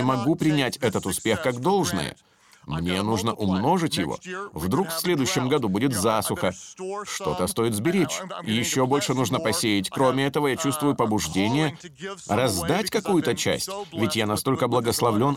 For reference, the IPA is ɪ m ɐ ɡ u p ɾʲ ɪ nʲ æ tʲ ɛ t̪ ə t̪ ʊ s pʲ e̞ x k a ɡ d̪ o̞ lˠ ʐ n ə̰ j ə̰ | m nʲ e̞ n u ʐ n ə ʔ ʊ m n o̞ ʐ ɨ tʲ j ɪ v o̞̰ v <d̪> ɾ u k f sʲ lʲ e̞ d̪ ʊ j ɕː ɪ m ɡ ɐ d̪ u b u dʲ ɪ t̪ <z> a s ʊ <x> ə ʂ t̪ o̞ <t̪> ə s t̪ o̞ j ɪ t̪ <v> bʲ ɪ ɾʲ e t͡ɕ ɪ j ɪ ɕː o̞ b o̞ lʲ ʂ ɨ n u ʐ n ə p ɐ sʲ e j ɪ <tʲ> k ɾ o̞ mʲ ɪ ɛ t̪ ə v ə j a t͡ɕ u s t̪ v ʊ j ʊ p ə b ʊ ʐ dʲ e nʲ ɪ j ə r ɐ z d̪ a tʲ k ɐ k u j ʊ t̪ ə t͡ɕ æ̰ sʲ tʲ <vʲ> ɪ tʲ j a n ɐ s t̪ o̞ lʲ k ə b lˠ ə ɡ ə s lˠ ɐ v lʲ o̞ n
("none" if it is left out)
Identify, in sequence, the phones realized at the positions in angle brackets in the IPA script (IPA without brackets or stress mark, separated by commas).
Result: d̪, z, x, t̪, z, tʲ, vʲ